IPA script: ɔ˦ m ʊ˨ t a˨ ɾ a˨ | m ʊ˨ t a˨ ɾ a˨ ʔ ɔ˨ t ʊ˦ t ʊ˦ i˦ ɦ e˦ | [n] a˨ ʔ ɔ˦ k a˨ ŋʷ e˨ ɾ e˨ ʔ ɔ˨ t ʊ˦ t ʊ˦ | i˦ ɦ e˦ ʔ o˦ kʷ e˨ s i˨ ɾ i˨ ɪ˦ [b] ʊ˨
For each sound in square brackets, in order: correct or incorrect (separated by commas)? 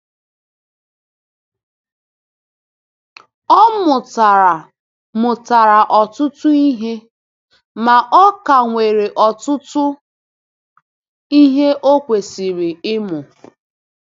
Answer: incorrect, incorrect